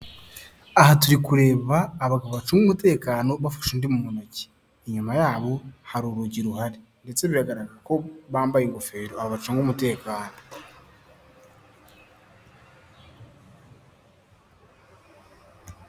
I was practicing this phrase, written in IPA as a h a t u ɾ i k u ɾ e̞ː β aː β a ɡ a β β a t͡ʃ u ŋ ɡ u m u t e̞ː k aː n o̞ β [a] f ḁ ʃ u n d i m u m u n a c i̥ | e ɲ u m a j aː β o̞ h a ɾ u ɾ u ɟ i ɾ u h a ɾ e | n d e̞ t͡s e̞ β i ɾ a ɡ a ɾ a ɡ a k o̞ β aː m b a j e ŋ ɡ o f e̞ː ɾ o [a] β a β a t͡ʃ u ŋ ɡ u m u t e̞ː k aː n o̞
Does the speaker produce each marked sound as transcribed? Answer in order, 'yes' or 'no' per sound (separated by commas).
yes, yes